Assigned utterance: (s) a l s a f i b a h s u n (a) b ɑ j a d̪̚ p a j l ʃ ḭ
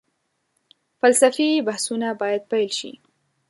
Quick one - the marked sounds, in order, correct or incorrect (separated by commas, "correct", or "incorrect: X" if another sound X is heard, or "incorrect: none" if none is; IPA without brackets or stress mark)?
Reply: incorrect: f, correct